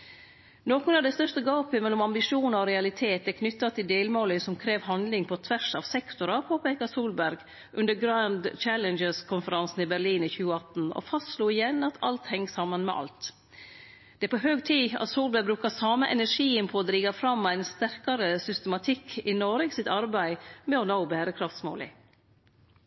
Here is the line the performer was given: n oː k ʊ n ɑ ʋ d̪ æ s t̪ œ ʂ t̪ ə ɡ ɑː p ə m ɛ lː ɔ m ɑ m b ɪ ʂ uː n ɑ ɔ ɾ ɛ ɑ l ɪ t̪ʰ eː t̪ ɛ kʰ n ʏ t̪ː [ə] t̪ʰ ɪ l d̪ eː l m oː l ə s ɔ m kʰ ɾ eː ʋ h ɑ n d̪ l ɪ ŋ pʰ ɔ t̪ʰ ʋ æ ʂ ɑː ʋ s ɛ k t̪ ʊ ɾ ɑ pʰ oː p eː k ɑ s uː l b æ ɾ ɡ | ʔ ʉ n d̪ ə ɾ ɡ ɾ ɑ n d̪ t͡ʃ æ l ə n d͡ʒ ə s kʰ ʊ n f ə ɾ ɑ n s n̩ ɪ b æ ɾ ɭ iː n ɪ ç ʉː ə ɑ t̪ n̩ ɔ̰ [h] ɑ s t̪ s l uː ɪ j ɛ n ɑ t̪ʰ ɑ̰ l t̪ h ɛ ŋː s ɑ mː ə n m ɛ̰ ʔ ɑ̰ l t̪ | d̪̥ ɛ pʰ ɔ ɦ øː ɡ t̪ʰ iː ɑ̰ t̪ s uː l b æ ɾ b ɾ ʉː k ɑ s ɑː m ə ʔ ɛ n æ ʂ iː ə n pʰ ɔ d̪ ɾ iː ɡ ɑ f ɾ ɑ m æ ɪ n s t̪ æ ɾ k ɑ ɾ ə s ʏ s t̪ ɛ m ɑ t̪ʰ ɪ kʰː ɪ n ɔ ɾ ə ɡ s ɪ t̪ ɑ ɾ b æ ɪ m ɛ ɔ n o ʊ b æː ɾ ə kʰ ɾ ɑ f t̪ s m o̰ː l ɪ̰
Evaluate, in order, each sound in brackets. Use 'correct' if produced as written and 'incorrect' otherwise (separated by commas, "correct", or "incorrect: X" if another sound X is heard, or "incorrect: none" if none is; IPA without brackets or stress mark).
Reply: incorrect: ɑ, incorrect: f